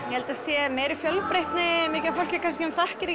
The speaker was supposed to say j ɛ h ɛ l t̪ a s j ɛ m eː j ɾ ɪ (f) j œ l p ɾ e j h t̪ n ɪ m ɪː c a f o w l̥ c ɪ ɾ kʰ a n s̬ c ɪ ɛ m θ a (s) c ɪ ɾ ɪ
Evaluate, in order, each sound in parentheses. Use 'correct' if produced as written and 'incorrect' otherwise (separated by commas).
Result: correct, incorrect